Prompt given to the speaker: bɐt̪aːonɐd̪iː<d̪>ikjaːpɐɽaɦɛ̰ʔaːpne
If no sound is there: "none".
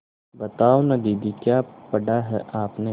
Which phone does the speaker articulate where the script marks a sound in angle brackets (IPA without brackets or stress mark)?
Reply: d̪